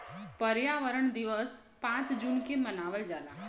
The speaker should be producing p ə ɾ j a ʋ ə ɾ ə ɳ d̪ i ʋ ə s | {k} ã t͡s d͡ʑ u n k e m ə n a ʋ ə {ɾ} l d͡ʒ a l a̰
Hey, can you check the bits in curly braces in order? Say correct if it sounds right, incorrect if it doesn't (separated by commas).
incorrect, incorrect